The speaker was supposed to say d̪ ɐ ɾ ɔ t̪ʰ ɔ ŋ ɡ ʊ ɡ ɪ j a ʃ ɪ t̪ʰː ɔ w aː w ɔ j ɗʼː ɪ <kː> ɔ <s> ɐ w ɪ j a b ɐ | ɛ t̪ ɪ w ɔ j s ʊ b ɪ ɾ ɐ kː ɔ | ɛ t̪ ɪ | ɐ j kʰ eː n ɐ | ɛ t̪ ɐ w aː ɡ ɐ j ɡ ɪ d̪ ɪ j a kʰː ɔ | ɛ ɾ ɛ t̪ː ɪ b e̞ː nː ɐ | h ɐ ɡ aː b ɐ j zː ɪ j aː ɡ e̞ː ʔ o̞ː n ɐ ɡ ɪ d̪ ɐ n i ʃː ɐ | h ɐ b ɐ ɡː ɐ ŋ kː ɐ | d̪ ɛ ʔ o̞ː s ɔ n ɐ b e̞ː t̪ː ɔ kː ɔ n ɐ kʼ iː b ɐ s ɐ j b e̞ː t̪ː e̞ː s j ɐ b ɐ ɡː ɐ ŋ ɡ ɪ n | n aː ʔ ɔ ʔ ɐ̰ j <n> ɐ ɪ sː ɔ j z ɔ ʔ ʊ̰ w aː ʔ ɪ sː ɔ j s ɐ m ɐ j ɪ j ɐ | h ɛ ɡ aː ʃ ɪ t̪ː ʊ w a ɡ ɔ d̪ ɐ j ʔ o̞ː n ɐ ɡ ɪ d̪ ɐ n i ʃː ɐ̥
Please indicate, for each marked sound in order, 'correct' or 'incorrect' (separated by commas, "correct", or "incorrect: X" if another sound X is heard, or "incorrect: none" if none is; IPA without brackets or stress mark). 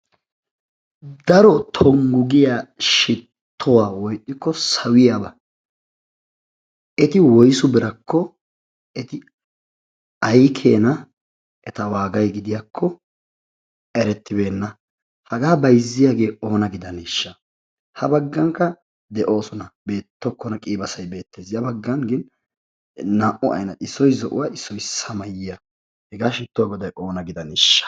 correct, correct, correct